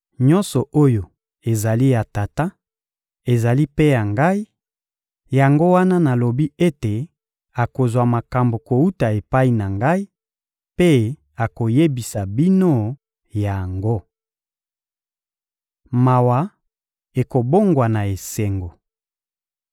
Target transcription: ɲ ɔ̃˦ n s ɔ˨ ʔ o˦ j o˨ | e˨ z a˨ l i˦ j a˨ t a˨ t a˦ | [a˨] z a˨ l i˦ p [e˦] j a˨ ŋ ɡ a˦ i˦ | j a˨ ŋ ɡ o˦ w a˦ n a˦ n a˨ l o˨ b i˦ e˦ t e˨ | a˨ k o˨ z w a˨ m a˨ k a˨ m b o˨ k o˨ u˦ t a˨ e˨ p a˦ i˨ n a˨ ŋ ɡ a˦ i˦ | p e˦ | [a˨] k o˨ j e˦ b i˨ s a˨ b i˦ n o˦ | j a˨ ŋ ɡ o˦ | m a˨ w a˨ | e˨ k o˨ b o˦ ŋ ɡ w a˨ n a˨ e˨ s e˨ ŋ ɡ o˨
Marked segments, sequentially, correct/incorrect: incorrect: e˨, correct, correct

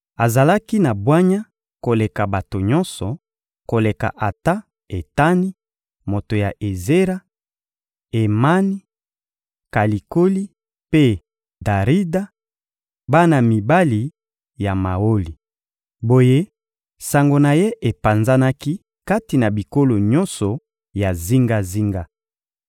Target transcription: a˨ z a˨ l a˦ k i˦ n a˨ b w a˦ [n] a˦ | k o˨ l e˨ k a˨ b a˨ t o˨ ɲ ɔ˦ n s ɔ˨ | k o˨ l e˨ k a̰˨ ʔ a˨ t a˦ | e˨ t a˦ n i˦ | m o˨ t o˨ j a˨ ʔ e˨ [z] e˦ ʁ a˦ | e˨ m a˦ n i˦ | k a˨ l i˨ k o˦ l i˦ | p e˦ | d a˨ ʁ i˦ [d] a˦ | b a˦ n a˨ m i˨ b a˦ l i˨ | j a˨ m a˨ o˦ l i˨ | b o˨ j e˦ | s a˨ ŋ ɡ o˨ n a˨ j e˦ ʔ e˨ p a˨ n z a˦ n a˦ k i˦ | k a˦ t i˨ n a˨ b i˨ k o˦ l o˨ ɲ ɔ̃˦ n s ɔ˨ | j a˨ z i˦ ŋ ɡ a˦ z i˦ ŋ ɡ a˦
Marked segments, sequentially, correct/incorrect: incorrect: ɲ, correct, correct

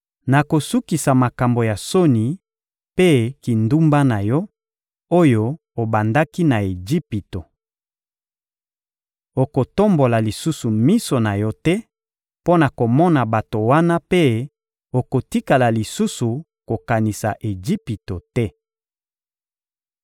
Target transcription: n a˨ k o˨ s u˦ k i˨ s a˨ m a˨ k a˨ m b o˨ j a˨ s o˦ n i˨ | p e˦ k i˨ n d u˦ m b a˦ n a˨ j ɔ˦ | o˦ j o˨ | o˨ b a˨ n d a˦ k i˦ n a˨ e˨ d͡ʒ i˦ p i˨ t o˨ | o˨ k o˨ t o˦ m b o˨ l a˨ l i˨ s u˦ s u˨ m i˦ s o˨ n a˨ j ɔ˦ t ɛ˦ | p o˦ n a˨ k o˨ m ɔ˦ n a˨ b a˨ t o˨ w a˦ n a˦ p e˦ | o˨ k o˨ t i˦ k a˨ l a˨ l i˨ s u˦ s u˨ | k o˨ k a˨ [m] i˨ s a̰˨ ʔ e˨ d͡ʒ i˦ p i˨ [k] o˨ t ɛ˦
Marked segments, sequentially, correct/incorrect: incorrect: n, incorrect: t

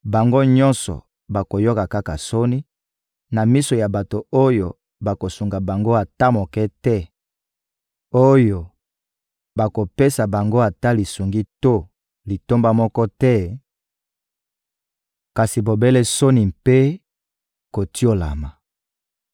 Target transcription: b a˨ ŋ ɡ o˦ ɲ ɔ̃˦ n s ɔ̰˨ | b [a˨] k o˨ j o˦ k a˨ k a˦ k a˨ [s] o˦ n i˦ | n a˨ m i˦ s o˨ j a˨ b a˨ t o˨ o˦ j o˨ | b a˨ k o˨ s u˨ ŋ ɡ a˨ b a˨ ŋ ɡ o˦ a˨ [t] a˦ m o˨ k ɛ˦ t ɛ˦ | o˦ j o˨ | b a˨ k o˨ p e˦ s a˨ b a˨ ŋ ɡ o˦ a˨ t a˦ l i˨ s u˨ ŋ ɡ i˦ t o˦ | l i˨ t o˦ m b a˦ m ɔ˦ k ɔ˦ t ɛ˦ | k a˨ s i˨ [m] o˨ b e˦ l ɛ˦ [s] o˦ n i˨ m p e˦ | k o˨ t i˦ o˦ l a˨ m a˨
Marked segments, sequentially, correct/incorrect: correct, correct, correct, incorrect: b, correct

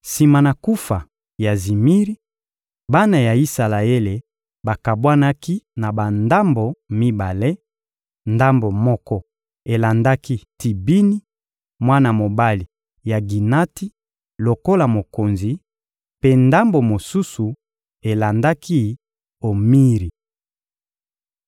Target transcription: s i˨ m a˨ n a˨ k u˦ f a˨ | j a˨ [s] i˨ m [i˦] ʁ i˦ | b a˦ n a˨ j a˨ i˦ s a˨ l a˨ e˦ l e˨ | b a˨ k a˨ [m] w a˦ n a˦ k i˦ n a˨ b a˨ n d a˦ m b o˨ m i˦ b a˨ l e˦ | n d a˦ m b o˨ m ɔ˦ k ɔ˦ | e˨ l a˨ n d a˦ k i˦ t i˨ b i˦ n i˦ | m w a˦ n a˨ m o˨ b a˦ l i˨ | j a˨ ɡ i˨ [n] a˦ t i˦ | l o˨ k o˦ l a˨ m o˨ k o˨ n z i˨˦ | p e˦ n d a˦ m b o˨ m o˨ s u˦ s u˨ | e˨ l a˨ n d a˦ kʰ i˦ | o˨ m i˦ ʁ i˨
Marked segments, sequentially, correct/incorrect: incorrect: z, correct, incorrect: b, correct

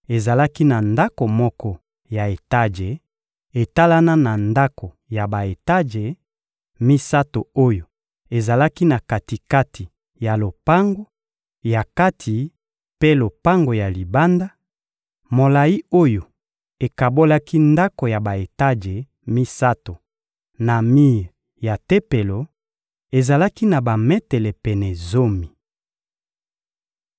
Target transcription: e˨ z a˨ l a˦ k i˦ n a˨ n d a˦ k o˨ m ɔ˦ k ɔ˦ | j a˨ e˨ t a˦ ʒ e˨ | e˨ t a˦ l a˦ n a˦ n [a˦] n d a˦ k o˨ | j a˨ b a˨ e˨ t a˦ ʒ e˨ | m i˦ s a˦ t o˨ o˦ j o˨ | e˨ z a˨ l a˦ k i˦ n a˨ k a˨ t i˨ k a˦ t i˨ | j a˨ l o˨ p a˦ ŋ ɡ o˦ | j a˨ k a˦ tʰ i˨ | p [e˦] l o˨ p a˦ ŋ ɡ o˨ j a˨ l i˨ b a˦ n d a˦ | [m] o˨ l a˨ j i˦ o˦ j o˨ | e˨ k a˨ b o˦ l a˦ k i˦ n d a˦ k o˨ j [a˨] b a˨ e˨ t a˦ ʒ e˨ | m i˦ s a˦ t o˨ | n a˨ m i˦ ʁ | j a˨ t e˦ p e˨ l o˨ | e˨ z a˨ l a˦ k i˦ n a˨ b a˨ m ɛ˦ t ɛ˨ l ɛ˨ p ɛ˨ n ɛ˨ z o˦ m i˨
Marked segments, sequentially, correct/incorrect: incorrect: a˨, correct, correct, correct

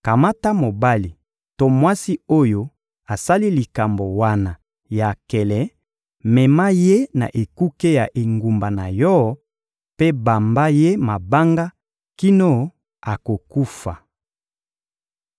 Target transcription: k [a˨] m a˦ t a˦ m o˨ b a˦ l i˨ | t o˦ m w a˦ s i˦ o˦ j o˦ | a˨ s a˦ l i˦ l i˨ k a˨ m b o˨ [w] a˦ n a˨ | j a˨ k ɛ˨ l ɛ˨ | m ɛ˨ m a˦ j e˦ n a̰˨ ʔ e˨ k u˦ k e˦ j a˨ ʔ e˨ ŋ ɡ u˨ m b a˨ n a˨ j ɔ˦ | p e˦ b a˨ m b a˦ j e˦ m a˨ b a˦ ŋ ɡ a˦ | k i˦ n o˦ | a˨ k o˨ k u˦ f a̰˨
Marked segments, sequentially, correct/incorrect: correct, correct

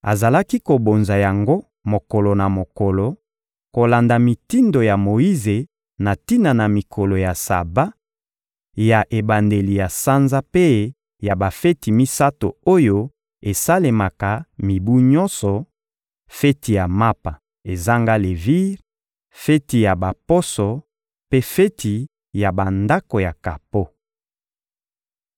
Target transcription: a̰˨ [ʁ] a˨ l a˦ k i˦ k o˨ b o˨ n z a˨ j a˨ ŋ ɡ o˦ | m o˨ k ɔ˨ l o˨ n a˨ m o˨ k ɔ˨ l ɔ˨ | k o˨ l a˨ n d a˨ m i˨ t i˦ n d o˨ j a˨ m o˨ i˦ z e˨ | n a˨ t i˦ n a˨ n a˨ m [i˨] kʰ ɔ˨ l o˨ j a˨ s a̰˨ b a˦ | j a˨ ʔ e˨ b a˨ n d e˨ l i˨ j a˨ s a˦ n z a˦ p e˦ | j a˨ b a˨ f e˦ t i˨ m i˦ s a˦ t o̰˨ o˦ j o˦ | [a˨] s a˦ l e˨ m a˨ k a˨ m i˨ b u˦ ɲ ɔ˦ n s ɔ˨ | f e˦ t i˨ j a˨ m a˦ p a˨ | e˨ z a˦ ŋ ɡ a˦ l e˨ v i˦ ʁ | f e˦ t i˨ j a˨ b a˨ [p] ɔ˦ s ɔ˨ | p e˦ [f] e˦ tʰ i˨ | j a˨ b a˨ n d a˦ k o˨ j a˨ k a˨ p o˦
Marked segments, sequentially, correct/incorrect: incorrect: z, correct, incorrect: e˨, correct, correct

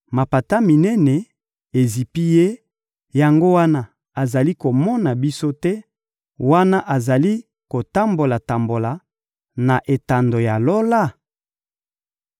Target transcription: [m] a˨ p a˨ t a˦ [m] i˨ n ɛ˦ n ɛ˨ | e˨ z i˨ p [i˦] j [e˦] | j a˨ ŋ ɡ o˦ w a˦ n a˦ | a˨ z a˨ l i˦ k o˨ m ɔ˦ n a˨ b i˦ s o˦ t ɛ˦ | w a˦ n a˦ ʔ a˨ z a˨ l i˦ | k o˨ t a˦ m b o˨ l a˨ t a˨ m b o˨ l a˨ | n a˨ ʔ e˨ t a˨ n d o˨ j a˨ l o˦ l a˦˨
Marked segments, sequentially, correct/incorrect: correct, correct, correct, correct

